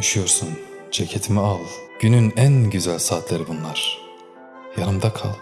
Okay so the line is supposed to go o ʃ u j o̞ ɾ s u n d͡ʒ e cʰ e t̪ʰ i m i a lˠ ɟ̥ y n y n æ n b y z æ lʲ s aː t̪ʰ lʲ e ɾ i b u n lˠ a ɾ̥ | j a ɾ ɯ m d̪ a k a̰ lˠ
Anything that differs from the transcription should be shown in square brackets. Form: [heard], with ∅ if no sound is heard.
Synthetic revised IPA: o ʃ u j o̞ ɾ s u n d͡ʒ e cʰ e t̪ʰ i m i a lˠ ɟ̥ y n y n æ n [ɟ] y z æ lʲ s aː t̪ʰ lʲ e ɾ i b u n lˠ a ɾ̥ | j a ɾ ɯ m d̪ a [kʰ] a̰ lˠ